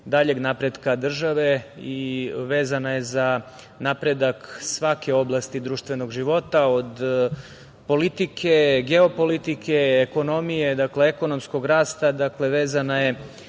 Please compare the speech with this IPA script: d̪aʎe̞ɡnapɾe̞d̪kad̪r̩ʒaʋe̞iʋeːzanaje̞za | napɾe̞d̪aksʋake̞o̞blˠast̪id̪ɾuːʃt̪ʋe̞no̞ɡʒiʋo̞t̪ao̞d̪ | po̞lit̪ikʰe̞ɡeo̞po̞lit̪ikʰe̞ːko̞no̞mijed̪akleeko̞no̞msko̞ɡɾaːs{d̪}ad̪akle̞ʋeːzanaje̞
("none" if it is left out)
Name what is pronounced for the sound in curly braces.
t̪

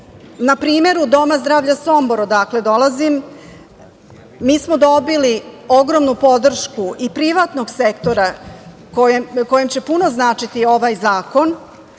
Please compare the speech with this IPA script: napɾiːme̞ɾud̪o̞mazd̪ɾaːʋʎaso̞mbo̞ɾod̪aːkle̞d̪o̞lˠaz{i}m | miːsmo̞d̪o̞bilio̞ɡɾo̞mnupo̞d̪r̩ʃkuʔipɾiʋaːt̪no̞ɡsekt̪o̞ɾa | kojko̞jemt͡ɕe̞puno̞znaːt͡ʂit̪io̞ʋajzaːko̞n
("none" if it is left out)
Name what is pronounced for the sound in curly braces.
i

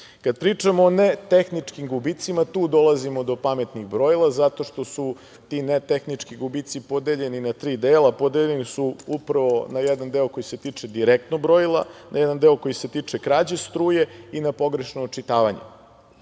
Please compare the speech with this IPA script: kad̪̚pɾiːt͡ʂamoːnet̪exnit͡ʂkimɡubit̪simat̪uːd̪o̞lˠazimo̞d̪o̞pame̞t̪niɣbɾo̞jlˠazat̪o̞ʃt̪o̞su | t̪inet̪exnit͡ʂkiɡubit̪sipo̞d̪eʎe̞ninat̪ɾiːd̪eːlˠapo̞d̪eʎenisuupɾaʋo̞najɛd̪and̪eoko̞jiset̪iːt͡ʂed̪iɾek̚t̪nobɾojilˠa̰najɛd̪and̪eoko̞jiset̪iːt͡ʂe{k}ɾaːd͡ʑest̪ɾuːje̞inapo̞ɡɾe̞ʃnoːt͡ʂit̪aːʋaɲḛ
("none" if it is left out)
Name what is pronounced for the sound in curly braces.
k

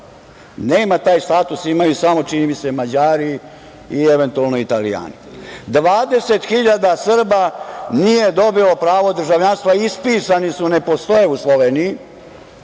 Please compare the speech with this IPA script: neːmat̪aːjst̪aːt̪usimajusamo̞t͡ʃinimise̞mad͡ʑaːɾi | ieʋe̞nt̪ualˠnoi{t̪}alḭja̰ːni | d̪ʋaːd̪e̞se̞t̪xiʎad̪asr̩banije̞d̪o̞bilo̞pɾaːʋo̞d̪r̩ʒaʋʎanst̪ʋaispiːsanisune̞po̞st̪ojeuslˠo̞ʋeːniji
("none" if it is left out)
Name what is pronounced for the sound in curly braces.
t̪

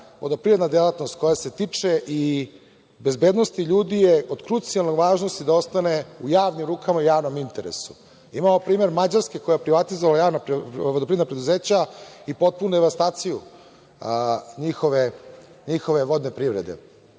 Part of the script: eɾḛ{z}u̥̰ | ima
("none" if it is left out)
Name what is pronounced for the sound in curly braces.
s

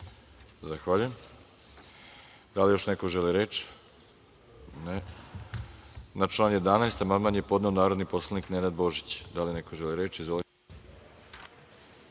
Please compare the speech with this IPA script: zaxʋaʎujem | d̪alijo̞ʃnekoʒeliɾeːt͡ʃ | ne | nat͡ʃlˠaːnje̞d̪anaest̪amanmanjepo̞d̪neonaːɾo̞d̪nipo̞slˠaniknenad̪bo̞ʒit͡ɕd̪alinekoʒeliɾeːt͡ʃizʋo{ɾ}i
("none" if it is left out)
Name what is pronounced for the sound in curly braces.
l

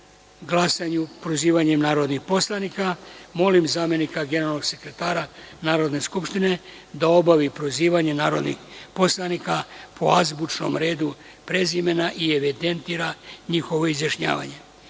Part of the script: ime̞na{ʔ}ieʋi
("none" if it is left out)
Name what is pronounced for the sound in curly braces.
ʔ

